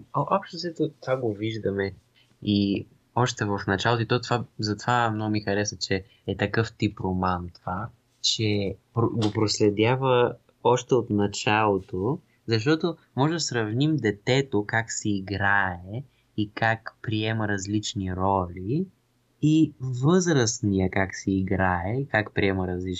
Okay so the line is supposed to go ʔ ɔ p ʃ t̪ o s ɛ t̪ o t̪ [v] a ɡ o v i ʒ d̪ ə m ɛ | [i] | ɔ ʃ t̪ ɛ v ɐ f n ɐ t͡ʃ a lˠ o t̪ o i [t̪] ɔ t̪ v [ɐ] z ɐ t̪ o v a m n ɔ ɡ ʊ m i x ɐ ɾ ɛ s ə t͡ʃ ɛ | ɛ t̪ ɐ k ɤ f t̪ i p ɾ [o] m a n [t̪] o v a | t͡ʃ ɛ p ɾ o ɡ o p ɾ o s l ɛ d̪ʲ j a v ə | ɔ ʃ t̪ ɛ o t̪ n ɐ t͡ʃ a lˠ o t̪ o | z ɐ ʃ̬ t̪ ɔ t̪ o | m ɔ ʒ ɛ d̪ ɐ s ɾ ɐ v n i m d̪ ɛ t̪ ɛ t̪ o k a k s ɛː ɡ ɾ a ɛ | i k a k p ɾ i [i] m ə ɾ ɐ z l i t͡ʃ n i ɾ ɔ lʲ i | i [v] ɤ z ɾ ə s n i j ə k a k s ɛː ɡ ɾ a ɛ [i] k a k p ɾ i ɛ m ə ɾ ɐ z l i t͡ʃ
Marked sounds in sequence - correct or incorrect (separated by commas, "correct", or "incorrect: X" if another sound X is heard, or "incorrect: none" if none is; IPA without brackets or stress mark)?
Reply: correct, correct, correct, incorrect: a, correct, correct, incorrect: ɛ, correct, correct